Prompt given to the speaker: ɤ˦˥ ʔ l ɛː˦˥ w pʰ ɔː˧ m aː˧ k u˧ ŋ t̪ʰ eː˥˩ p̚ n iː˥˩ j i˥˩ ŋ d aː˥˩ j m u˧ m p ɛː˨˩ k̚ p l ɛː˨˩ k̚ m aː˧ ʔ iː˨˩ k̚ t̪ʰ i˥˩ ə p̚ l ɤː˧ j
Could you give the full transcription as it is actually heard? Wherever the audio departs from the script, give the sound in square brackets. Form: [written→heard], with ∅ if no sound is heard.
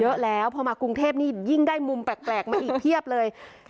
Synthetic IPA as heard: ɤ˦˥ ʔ l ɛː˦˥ w pʰ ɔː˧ m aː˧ k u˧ ŋ t̪ʰ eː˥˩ p̚ n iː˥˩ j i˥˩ ŋ d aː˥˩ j m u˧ m p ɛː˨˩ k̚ p l ɛː˨˩ k̚ m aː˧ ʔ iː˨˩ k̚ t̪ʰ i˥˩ ə p̚ l ɤː˧ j